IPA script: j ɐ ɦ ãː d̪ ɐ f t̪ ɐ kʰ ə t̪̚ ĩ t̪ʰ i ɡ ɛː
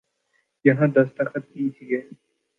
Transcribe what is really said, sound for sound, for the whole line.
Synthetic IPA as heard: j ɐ ɦ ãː d̪ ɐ s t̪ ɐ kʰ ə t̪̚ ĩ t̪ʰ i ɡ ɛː